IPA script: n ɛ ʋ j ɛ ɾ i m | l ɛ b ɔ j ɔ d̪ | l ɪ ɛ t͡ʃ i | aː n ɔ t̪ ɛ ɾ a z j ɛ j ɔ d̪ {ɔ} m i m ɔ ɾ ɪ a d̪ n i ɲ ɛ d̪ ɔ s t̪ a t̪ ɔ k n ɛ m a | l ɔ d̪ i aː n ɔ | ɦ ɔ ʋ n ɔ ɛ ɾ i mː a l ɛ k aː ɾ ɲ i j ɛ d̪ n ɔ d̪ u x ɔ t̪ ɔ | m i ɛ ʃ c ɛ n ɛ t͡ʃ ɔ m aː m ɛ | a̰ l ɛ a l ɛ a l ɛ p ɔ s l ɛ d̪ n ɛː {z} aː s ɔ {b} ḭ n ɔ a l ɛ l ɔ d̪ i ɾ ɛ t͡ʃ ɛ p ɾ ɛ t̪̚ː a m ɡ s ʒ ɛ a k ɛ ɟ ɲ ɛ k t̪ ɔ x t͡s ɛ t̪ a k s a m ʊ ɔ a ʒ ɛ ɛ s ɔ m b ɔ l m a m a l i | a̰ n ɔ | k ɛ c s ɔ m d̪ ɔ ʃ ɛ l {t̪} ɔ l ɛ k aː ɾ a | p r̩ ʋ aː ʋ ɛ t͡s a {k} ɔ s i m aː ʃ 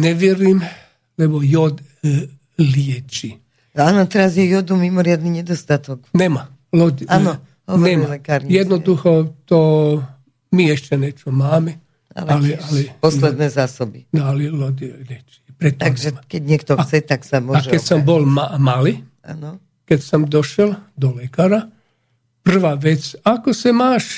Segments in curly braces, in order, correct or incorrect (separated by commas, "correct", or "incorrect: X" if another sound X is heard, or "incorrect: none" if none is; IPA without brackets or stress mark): incorrect: u, correct, correct, incorrect: d̪, correct